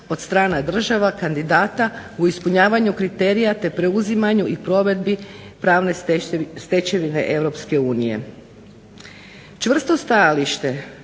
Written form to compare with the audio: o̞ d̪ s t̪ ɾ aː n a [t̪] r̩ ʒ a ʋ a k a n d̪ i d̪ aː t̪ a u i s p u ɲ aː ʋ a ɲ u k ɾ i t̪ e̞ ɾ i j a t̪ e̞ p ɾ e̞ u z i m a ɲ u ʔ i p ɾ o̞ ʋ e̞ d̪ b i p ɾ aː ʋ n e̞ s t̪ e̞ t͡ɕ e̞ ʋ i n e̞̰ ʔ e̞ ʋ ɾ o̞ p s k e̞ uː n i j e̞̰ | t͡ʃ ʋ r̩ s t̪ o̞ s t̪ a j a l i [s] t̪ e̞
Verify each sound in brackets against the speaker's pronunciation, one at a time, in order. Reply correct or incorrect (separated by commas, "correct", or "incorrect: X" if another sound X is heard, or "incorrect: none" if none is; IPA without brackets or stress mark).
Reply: incorrect: d̪, incorrect: ʃ